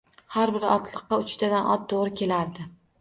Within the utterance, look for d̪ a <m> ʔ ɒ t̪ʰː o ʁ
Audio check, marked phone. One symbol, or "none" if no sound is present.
n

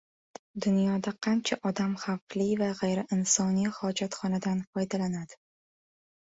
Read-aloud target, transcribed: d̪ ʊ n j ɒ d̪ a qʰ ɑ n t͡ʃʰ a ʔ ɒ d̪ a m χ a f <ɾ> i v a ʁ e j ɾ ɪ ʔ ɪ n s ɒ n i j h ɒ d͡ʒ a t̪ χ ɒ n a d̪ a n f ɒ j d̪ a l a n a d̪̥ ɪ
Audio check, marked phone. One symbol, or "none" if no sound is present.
l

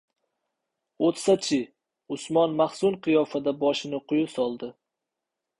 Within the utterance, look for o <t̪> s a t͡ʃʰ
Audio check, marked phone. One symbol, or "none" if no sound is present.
t̪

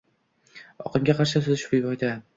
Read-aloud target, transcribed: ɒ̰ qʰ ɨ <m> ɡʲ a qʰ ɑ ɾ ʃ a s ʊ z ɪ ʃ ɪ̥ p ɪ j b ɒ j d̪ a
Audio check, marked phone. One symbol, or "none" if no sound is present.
m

